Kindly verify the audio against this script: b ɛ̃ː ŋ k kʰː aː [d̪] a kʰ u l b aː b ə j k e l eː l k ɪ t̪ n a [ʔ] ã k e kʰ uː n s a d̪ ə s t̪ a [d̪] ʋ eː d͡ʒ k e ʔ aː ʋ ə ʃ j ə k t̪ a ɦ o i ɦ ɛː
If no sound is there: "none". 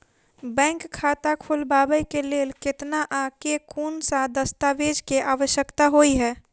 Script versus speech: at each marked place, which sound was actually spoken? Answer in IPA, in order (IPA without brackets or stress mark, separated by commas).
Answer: t̪, ʔ, none